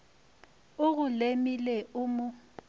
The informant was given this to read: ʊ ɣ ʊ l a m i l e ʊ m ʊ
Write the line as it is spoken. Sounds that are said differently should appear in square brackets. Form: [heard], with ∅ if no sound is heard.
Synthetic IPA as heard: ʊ ɣ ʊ l [e] m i l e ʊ m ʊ